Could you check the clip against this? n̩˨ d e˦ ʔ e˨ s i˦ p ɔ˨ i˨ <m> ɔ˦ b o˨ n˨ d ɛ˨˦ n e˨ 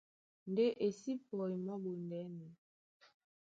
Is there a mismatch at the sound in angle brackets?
no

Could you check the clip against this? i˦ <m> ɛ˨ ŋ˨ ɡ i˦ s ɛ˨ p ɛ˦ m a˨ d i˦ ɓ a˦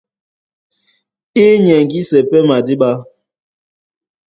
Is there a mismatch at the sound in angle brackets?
yes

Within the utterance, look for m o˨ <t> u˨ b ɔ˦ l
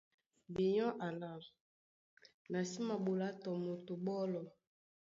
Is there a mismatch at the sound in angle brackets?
no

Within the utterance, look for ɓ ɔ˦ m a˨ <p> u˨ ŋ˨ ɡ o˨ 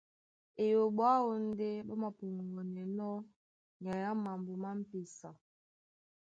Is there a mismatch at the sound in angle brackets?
no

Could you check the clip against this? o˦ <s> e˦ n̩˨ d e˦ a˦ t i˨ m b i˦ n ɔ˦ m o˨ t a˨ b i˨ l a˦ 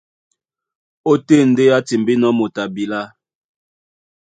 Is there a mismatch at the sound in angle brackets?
yes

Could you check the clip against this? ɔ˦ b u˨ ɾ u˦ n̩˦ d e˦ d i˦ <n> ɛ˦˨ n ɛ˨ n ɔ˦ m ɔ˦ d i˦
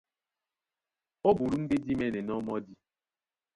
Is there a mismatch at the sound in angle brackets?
yes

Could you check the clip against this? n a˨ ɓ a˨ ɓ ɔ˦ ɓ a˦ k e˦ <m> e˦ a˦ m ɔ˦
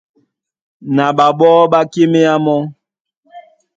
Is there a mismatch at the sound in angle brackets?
no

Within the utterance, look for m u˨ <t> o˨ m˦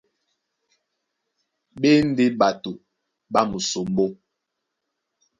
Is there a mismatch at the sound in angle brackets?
yes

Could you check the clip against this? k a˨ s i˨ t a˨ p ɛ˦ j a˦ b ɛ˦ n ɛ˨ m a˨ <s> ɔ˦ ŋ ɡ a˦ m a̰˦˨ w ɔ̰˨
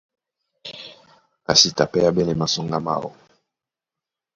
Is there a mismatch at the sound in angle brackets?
no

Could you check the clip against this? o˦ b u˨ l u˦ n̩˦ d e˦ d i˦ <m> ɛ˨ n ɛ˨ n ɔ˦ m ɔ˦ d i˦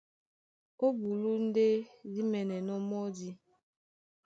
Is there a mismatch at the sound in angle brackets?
no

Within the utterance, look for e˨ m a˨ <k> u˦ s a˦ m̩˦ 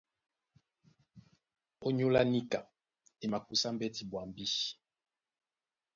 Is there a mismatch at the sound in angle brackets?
no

